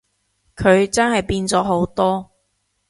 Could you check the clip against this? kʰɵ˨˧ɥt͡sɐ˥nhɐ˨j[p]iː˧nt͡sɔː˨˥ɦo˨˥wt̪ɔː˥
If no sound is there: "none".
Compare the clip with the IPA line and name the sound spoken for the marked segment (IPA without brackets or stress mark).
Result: p